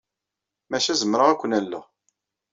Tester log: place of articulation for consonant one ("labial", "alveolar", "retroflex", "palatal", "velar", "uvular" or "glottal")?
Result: labial